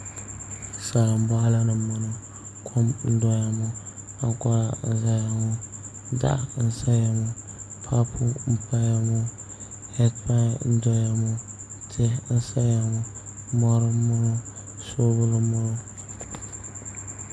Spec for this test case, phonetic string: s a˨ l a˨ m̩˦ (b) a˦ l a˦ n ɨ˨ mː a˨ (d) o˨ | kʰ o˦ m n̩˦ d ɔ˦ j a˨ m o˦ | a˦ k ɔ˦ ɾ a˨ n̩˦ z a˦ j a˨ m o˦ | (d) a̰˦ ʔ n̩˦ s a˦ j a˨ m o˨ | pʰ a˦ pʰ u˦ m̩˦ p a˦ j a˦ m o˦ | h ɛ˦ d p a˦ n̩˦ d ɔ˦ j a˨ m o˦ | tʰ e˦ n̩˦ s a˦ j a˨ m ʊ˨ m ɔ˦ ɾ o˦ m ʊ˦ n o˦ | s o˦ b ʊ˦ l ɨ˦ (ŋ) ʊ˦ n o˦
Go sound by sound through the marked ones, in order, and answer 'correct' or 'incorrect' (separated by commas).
correct, incorrect, correct, incorrect